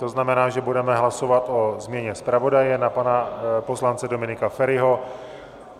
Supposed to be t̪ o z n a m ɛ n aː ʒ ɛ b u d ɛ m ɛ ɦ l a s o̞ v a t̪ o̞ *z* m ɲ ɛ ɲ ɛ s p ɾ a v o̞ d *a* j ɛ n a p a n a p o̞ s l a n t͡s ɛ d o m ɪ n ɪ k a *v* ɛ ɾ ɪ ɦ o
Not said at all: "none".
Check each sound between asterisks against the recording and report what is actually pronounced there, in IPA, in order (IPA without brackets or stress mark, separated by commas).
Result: z, a, f